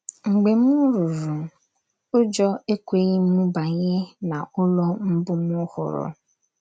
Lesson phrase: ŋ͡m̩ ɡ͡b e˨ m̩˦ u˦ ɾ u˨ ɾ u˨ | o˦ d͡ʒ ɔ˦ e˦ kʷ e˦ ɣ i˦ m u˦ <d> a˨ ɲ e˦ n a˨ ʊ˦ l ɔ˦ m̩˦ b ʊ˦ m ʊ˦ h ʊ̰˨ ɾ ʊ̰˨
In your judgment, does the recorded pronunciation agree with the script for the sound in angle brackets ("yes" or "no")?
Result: no